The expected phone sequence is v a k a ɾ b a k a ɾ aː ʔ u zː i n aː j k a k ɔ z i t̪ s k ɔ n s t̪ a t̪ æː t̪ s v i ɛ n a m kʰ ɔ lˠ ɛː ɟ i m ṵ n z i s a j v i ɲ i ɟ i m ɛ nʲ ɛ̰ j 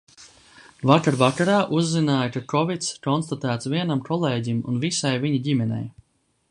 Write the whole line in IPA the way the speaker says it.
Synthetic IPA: v a k a ɾ v a k a ɾ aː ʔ u zː i n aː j k a k ɔ v i t̪ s k ɔ n s t̪ a t̪ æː t̪ s v i ɛ n a m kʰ ɔ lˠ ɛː ɟ i m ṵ n v i s a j v i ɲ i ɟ i m ɛ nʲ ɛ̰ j